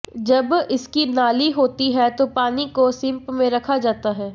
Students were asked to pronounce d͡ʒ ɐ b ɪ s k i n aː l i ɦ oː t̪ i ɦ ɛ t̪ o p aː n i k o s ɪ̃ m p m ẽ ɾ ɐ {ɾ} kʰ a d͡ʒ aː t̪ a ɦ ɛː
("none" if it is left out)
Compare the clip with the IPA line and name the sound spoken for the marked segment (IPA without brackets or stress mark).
none